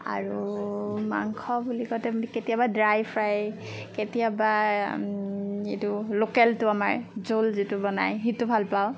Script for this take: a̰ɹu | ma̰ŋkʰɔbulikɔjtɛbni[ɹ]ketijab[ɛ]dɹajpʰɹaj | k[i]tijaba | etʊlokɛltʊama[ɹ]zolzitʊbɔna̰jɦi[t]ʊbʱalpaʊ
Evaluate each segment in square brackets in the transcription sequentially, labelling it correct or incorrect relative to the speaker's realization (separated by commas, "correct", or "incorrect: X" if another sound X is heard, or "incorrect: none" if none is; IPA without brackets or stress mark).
incorrect: none, incorrect: a, incorrect: e, correct, correct